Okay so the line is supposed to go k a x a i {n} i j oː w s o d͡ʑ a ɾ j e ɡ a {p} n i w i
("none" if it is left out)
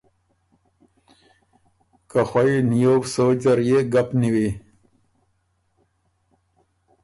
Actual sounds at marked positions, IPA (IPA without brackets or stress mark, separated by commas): n, p